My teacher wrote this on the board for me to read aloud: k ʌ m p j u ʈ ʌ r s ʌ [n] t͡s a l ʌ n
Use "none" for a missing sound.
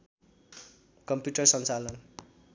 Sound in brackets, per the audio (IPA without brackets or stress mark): n